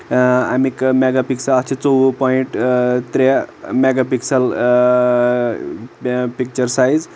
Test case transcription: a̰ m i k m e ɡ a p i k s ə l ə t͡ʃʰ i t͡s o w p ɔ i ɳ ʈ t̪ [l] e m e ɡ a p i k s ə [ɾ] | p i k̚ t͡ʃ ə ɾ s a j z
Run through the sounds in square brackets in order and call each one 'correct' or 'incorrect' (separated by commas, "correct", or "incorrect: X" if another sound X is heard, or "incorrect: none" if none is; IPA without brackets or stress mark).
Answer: incorrect: ɾ, incorrect: l